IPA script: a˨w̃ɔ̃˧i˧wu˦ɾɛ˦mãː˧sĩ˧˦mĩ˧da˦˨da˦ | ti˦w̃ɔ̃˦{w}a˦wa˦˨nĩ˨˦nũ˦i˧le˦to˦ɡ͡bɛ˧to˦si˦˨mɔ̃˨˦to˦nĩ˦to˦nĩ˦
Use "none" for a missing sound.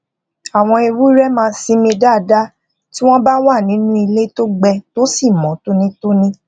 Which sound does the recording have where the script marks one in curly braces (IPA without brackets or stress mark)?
b